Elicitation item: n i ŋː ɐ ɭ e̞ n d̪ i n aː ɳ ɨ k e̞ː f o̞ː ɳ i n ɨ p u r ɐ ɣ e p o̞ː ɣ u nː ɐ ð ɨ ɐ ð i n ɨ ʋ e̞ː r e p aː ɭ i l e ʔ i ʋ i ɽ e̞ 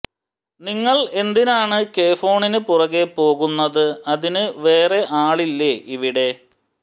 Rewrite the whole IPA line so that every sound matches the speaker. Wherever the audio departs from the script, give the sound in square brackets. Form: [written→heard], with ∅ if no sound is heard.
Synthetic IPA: n i ŋː ɐ ɭ e̞ n d̪ i n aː ɳ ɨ k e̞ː f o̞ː ɳ i n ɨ p u r ɐ ɣ e p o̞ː ɣ u nː ɐ ð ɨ ɐ ð i n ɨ ʋ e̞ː r e [p→ʔ] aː ɭ i [l→lː] e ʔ i ʋ i ɽ e̞